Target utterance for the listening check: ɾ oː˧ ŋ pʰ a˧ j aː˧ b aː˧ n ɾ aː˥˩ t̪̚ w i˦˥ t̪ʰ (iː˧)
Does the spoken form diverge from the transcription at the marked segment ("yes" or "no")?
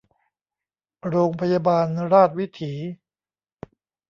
yes